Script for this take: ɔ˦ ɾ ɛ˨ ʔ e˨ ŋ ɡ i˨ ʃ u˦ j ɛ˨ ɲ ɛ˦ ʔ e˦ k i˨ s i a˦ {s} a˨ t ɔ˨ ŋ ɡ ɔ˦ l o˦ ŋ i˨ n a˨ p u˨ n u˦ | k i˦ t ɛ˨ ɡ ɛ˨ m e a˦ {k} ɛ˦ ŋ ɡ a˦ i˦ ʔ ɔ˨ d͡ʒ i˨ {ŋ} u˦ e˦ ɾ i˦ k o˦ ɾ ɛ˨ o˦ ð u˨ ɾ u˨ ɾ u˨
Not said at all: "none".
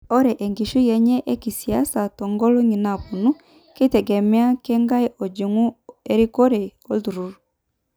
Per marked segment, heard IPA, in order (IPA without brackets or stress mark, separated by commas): s, k, ŋ